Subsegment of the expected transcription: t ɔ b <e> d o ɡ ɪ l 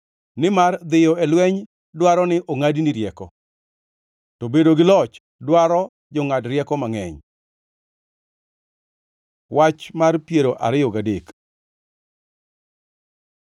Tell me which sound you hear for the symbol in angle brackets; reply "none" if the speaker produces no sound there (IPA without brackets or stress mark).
e